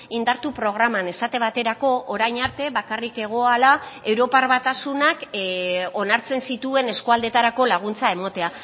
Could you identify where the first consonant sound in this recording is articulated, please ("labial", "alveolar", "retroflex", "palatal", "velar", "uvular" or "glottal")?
alveolar